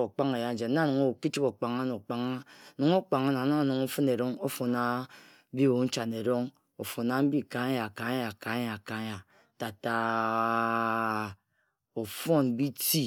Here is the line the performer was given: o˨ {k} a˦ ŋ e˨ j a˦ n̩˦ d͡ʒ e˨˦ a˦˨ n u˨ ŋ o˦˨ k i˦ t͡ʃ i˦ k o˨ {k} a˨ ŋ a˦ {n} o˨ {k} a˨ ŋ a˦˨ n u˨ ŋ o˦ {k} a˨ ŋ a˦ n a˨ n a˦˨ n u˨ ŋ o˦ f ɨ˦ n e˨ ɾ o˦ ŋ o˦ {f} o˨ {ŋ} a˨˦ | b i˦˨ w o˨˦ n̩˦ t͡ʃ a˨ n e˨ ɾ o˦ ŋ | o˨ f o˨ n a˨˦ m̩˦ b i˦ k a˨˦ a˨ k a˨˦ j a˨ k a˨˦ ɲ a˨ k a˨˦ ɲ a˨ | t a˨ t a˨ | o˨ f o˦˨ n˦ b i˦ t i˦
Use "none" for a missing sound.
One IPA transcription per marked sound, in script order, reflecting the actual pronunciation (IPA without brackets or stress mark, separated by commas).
k͡p, k͡p, n, k͡p, k͡p, f, n